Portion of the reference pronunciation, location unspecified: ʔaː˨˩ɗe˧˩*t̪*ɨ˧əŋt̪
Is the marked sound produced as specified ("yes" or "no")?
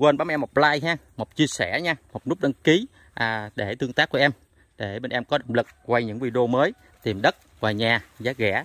yes